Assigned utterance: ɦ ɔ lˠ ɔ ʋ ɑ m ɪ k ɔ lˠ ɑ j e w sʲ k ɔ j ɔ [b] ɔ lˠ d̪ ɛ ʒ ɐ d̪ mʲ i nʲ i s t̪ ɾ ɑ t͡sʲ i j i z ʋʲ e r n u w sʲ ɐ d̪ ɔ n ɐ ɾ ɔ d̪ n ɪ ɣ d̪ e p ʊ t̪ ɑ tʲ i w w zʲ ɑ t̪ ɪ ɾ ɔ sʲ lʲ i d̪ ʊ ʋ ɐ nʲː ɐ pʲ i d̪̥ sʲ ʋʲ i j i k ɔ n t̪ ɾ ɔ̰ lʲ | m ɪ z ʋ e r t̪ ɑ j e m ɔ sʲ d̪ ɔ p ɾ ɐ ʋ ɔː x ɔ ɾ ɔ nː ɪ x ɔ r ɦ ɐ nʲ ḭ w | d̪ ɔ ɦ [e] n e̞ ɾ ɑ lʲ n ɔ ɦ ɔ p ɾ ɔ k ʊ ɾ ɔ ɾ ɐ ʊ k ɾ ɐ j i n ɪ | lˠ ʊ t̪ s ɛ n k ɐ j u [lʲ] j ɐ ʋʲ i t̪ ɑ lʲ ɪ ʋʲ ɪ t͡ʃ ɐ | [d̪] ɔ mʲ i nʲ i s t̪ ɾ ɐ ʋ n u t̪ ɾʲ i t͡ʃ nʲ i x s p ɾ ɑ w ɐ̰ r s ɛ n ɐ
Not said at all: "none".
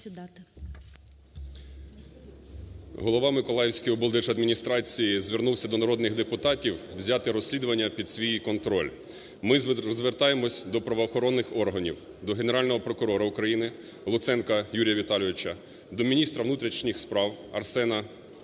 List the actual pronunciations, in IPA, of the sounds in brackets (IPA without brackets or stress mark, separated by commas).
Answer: b, e, ɾʲ, d̪